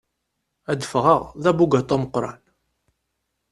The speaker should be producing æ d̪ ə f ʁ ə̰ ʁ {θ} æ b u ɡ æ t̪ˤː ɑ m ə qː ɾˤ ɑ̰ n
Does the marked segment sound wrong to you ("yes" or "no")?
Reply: yes